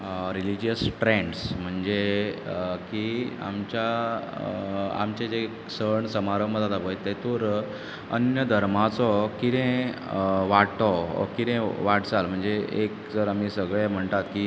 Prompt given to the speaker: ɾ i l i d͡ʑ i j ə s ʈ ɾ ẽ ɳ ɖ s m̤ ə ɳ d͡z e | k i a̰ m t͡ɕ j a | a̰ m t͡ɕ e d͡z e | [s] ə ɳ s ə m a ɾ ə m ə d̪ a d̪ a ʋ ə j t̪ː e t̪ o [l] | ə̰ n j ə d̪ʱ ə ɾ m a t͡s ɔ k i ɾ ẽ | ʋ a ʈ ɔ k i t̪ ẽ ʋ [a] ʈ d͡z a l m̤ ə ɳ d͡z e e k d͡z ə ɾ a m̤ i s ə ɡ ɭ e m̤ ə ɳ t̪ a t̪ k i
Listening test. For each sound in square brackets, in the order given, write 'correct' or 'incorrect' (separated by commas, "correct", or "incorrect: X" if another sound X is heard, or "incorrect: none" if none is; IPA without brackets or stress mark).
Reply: correct, incorrect: ɾ, correct